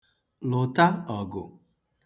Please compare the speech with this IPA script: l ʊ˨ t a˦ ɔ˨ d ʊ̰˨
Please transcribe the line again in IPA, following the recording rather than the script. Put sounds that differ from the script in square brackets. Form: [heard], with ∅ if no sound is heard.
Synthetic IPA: l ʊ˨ t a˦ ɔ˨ [ɡ] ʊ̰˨